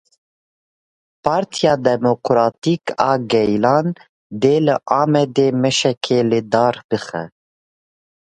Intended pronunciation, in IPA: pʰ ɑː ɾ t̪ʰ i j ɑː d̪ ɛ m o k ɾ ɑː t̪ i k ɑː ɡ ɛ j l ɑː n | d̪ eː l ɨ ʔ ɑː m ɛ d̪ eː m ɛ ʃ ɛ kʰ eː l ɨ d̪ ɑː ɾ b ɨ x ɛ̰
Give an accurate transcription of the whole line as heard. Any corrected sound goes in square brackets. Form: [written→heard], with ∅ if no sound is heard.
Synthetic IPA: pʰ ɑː ɾ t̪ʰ i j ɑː d̪ ɛ m o k ɾ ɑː t̪ i k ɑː ɡ ɛ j l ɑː n | d̪ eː l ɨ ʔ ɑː m ɛ d̪ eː m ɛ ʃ ɛ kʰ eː l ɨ d̪ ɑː ɾ b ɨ x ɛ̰